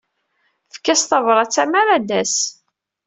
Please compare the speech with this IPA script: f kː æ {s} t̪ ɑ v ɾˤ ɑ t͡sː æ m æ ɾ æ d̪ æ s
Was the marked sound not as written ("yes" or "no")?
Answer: no